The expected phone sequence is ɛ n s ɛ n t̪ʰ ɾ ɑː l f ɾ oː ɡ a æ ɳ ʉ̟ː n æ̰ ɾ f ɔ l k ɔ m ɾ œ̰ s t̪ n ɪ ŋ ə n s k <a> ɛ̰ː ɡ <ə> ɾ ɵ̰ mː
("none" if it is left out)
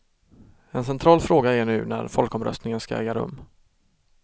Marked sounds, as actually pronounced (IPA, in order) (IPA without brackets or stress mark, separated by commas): a, a